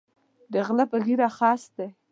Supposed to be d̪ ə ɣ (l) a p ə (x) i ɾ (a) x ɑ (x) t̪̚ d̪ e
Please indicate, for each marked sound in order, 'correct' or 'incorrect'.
correct, incorrect, correct, incorrect

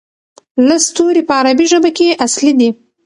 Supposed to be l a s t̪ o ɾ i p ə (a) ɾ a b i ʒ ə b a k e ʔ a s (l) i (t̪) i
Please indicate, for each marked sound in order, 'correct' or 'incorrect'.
correct, correct, incorrect

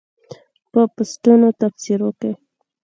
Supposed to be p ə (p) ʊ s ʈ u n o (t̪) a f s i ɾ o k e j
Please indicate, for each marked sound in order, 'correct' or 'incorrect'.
correct, correct

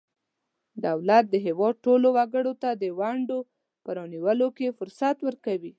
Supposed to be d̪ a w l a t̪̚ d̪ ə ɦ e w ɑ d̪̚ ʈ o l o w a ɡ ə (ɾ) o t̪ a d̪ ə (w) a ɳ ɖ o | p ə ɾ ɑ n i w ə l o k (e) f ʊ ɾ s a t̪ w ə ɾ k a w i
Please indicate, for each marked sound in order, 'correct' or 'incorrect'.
incorrect, correct, correct

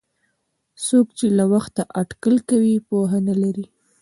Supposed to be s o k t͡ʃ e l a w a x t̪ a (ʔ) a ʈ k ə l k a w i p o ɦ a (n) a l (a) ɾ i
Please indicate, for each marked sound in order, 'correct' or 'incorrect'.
correct, correct, correct

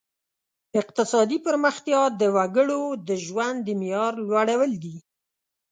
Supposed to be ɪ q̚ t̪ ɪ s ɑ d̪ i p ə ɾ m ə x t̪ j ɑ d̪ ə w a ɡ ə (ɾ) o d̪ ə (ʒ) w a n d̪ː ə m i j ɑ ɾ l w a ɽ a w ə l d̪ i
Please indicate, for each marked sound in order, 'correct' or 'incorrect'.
incorrect, correct

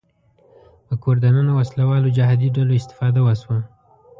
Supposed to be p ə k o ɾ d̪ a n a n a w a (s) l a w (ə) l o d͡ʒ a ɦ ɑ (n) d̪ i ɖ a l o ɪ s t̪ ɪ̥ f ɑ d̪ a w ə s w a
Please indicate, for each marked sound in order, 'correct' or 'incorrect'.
correct, incorrect, incorrect

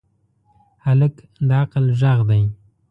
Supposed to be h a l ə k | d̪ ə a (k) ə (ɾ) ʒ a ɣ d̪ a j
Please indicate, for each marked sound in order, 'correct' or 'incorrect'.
incorrect, incorrect

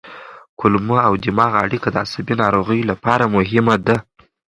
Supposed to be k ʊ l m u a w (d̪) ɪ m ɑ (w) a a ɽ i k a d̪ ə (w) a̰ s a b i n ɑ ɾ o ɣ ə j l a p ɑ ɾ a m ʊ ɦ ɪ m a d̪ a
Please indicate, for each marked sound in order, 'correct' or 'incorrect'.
correct, incorrect, incorrect

